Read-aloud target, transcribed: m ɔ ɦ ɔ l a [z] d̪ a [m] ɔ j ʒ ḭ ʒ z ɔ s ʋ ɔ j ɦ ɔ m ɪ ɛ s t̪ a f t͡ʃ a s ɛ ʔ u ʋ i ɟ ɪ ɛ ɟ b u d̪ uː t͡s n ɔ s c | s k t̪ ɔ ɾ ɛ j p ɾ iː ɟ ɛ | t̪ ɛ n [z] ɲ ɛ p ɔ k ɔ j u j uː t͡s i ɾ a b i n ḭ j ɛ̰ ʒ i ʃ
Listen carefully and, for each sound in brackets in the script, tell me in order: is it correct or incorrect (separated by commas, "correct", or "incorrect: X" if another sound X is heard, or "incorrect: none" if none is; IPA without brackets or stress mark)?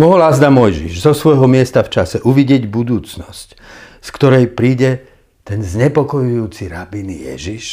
correct, correct, correct